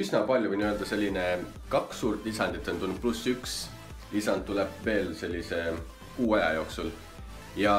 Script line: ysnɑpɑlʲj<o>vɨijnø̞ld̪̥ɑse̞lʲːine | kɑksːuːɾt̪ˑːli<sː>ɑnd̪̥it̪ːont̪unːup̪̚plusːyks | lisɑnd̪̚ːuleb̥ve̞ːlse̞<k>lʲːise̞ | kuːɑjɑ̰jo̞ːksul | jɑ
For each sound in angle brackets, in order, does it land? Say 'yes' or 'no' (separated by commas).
no, no, no